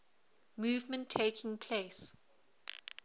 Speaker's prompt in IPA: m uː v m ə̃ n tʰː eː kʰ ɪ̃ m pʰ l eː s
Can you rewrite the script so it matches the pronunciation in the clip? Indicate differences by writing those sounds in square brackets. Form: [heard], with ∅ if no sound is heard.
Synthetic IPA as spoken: m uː v m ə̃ n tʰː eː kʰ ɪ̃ [ŋ] pʰ l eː s